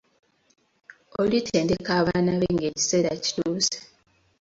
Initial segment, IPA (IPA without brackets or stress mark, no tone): o